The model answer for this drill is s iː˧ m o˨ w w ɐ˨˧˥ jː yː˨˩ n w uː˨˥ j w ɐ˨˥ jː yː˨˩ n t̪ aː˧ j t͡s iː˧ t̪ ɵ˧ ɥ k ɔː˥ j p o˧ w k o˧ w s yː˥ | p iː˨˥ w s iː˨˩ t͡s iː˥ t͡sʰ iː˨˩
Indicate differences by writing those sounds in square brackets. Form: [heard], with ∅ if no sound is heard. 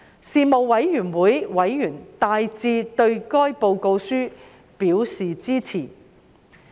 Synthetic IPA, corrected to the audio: s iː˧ m o˨ w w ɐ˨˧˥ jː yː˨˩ n w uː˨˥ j w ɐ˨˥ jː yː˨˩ n t̪ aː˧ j t͡s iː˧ t̪ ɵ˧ ɥ k ɔː˥ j p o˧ w k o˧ w s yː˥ | p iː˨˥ w s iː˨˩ t͡s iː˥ t͡sʰ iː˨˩